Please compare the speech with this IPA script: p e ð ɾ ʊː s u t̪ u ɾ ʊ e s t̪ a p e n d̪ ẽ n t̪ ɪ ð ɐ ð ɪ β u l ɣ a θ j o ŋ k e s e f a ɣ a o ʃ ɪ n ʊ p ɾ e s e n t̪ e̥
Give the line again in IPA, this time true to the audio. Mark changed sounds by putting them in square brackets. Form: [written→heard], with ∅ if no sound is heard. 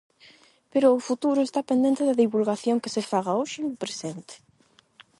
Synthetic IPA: p e [ð→∅] ɾ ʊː [s→f] u t̪ u ɾ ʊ e s t̪ a p e n d̪ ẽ n t̪ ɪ ð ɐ ð [ɪ→i] β u l ɣ a θ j o ŋ k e s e f a ɣ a o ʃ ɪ n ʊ p ɾ e s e n t̪ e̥